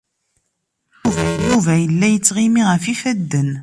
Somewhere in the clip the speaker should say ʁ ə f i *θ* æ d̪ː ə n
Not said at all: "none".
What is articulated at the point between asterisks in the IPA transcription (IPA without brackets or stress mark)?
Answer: f